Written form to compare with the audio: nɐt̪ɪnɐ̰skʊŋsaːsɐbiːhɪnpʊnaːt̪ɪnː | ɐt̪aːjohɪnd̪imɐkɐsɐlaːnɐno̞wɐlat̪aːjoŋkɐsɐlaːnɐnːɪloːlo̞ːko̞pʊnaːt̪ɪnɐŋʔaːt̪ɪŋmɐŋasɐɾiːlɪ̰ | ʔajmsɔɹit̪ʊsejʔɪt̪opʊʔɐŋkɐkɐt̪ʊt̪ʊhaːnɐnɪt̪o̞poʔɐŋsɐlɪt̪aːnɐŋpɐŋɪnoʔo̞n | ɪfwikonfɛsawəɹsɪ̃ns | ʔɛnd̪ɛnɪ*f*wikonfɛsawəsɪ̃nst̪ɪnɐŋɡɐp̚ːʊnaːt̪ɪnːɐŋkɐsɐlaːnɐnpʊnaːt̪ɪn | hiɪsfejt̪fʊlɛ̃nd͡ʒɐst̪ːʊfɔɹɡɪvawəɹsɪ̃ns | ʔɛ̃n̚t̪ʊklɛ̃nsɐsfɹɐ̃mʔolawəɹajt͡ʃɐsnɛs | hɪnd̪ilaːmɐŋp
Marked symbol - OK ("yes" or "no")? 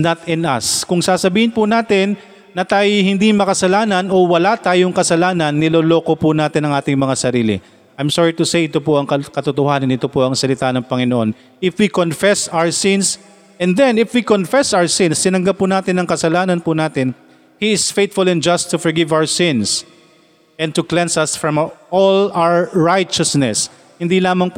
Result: yes